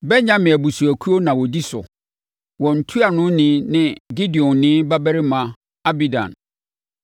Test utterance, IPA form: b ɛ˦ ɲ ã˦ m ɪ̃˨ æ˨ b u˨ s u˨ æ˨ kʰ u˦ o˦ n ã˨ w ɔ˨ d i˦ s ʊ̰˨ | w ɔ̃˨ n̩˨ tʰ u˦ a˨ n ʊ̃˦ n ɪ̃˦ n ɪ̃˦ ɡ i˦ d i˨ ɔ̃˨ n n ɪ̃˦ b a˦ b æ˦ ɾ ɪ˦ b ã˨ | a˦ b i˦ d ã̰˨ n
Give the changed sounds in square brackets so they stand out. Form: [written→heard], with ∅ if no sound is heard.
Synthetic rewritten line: b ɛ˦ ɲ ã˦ m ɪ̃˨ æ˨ b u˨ s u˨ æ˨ kʰ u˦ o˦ n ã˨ w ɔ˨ d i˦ s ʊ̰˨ | w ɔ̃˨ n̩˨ tʰ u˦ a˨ n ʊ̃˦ n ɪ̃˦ n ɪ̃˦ ɡ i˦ d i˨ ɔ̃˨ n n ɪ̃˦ b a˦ b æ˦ ɾ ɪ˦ [b→m] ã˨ | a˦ b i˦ d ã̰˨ n